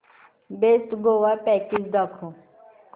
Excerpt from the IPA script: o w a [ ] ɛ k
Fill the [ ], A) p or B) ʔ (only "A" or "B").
A